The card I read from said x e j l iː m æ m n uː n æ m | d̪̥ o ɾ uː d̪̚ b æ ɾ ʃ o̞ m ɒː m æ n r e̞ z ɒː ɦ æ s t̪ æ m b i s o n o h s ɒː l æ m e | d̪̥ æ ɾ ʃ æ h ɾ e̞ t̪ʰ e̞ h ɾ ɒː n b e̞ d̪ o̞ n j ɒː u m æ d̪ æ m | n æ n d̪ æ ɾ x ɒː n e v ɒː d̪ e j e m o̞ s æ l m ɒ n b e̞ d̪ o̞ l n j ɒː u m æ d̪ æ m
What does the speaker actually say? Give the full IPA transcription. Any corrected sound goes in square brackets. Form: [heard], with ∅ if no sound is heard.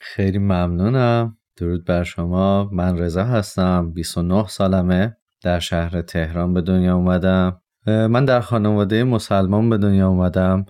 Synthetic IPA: x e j l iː m æ m n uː n æ m | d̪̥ o ɾ uː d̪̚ b æ ɾ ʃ o̞ m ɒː m æ n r e̞ z ɒː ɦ æ s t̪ æ m b i s o n o h s ɒː l æ m e | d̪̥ æ ɾ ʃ æ h ɾ e̞ t̪ʰ e̞ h ɾ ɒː n b e̞ d̪ o̞ n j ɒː u m æ d̪ æ m | [m] æ n d̪ æ ɾ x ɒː n e v ɒː d̪ e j e m o̞ s æ l m ɒ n b e̞ d̪ o̞ [∅] n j ɒː u m æ d̪ æ m